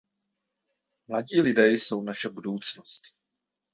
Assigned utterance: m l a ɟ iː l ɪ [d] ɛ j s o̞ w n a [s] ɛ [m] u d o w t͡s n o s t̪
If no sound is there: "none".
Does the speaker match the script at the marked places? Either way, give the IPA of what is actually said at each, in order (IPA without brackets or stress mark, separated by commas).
d, ʃ, b